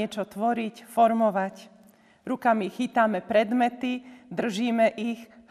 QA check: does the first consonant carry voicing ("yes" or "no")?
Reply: no